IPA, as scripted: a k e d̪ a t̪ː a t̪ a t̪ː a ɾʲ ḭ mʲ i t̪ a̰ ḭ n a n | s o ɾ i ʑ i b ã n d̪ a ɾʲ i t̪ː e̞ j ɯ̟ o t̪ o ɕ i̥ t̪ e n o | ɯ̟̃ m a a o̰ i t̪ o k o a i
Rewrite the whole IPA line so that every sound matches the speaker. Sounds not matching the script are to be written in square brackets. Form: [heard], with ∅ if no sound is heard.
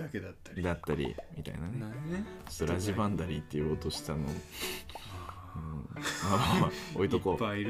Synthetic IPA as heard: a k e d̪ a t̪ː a [d̪] a t̪ː a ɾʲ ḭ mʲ i t̪ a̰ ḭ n a n | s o ɾ [a] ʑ i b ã n d̪ a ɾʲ i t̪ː e̞ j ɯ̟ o t̪ o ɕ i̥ t̪ [a] n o | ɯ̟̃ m a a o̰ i t̪ o k o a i